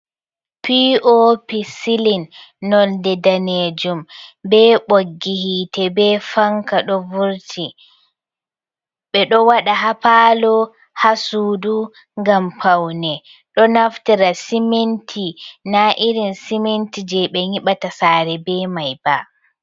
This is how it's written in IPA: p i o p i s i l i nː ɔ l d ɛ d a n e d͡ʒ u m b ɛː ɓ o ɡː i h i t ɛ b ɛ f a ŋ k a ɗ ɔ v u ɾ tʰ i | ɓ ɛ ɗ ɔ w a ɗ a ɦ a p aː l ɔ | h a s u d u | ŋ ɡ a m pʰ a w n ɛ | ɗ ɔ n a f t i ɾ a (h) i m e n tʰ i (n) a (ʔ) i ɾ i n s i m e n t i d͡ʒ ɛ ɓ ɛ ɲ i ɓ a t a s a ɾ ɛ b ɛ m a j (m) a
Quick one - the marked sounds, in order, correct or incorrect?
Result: incorrect, correct, correct, incorrect

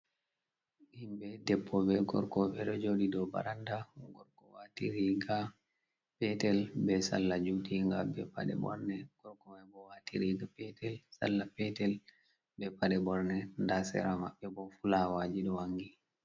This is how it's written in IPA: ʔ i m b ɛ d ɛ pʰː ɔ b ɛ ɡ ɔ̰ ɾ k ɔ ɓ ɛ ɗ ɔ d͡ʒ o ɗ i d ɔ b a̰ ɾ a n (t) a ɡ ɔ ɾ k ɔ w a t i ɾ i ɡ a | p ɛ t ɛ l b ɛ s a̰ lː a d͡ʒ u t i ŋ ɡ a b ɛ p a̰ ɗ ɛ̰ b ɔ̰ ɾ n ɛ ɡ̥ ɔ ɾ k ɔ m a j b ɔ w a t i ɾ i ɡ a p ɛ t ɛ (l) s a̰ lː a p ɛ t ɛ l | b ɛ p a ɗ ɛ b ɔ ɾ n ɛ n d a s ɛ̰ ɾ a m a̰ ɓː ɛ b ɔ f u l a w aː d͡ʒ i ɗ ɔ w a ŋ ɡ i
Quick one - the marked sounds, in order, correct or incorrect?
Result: incorrect, correct

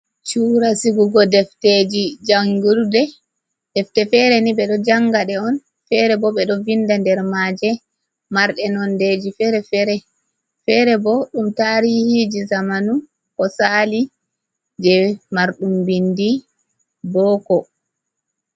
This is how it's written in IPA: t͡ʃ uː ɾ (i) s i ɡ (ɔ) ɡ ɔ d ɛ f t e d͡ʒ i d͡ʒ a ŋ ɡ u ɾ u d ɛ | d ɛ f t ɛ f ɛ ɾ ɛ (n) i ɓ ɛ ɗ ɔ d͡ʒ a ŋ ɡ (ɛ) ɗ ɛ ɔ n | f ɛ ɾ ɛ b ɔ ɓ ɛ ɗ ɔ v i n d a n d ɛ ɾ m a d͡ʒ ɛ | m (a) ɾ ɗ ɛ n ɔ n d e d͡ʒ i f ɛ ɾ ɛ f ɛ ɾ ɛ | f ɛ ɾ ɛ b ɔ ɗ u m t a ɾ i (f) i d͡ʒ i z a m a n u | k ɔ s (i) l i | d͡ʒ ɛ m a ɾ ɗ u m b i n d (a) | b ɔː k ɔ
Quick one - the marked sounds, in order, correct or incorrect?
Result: incorrect, incorrect, correct, incorrect, correct, incorrect, incorrect, incorrect

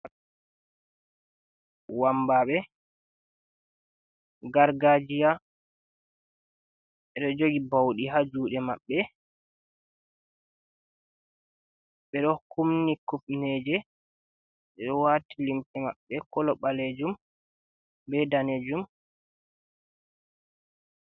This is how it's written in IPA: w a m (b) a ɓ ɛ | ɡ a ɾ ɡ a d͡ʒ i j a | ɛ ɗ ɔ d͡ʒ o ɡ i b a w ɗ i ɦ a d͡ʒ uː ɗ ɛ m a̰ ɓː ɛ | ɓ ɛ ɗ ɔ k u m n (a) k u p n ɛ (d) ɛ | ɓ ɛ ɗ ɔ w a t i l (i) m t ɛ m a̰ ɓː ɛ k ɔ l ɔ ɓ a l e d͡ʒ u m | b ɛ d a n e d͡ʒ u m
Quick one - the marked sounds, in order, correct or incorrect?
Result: correct, incorrect, incorrect, correct

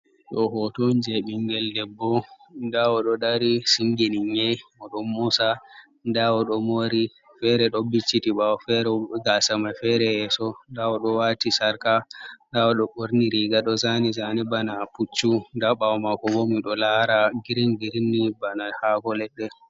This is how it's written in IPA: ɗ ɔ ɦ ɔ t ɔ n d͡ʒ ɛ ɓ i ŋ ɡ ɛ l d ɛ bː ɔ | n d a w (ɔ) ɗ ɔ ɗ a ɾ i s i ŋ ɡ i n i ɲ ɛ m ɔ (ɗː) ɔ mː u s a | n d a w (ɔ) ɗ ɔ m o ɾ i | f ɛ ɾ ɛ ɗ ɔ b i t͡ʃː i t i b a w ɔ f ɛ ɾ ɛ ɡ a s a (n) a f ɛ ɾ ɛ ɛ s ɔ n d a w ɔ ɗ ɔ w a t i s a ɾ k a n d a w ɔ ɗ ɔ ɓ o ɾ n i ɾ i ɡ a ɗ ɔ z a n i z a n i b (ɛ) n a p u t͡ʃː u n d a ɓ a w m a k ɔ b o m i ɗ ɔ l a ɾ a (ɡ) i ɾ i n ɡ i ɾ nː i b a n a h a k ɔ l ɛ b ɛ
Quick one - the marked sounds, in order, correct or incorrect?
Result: correct, incorrect, correct, incorrect, incorrect, correct

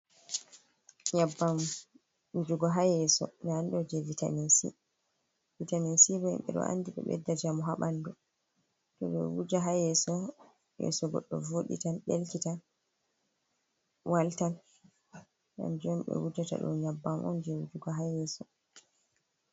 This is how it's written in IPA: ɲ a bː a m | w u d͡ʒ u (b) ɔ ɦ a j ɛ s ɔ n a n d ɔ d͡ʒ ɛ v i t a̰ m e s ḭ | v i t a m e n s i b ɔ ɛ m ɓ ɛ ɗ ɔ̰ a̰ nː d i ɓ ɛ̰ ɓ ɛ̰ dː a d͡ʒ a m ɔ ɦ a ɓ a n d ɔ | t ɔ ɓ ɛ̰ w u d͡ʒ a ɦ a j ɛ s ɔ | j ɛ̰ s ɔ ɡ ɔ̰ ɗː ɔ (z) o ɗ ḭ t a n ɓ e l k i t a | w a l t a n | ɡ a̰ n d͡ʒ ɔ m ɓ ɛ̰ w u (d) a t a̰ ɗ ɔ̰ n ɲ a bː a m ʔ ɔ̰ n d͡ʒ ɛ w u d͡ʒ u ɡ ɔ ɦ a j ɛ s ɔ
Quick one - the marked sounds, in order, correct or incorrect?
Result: incorrect, incorrect, incorrect

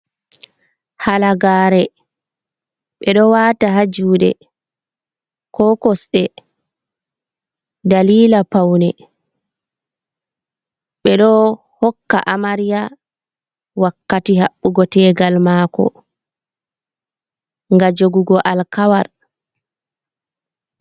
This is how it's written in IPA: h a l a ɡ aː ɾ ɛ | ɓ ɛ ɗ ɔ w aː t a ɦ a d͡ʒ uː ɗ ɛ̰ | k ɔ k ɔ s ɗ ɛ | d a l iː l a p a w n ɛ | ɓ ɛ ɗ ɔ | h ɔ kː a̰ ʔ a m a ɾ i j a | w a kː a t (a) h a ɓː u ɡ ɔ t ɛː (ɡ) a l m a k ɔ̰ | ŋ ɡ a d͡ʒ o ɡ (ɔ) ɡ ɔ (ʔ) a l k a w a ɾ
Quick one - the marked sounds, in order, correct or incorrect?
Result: incorrect, correct, incorrect, correct

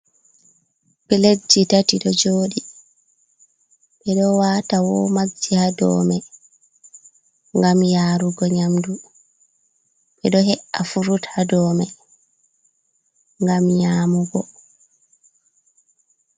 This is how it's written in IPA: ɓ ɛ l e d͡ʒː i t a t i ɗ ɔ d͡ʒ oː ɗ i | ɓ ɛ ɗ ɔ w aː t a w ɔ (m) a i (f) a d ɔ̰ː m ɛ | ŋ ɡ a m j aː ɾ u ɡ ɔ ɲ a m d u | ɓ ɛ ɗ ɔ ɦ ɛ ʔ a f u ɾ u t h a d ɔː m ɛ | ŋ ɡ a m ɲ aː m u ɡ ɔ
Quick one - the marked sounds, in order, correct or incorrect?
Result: correct, incorrect

